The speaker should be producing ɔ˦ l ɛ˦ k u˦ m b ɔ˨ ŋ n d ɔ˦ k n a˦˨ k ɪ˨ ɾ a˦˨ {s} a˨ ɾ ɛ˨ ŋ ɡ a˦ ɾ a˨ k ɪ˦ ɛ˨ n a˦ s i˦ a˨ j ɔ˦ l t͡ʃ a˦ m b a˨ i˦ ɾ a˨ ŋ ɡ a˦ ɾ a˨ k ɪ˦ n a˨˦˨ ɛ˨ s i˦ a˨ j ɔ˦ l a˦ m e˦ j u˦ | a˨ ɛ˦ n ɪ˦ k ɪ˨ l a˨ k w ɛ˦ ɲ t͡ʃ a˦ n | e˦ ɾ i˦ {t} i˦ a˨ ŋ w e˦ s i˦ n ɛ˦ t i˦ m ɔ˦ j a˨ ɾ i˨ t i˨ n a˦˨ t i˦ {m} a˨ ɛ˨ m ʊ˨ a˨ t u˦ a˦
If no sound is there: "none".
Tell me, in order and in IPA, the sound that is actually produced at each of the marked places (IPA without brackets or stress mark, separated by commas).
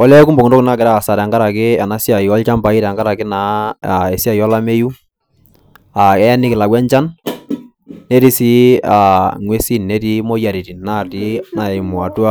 s, s, n